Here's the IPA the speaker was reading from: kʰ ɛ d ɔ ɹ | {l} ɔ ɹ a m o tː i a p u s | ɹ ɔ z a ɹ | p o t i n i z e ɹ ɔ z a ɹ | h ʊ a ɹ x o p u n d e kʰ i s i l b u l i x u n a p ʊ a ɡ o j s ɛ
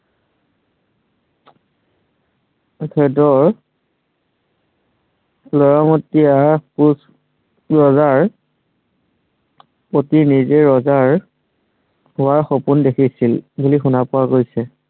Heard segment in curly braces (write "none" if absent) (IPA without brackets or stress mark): l